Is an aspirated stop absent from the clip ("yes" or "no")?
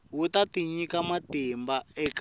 yes